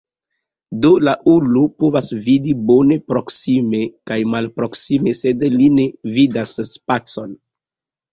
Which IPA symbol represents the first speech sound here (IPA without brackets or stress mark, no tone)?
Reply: d